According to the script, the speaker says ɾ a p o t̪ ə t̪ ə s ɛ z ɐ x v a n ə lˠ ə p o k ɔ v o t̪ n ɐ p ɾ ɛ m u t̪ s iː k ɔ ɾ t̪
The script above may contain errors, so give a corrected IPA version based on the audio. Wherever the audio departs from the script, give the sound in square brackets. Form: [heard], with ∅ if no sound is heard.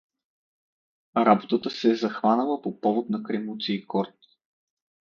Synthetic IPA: ɾ a [b] o t̪ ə t̪ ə s ɛ z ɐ x v a n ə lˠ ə p o [p] ɔ v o t̪ n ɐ [k] ɾ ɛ m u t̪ s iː k ɔ ɾ t̪